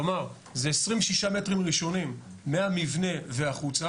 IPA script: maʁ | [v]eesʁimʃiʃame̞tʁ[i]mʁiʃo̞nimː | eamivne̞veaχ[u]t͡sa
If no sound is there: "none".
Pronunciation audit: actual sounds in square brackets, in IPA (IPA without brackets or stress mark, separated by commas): z, i, u